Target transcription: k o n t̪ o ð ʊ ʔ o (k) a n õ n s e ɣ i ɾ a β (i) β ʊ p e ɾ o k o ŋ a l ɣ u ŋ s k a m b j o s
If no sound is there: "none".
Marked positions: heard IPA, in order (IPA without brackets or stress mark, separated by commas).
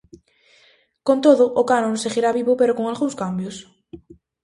k, i